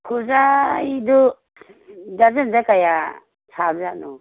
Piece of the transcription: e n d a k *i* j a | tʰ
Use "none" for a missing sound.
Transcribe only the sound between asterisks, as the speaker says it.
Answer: a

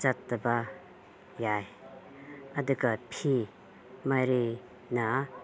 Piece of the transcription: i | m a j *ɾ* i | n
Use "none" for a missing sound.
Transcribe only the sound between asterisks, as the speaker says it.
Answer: ɾ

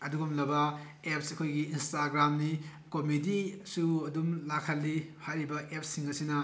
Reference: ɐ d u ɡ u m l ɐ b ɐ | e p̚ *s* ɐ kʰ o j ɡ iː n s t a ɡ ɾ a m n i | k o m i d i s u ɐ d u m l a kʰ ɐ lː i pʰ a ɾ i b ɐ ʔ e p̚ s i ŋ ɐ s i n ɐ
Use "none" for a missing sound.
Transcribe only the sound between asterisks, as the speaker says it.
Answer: s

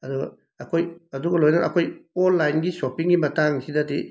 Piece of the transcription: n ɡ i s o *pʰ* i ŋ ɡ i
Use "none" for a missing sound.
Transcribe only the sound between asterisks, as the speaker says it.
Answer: p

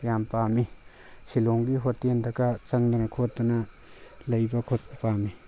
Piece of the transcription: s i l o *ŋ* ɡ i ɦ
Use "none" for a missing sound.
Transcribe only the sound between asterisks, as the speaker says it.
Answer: ŋ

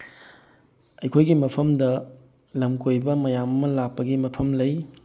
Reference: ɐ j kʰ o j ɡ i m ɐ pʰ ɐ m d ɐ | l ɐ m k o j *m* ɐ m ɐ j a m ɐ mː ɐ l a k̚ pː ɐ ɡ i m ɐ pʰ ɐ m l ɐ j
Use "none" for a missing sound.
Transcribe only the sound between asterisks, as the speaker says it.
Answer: b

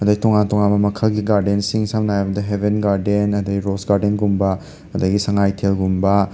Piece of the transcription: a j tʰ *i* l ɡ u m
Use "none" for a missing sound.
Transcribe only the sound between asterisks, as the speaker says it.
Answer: e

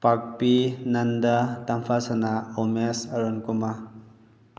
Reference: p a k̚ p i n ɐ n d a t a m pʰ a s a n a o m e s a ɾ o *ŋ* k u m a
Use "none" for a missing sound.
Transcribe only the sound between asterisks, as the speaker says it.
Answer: n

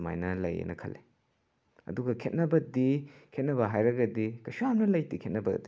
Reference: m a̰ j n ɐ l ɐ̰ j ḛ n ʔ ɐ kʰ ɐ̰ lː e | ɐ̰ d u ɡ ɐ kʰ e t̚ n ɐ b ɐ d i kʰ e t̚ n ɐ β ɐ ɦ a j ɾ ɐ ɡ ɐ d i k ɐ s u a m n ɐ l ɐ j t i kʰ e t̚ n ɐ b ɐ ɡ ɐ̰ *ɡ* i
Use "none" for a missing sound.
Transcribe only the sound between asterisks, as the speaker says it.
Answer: d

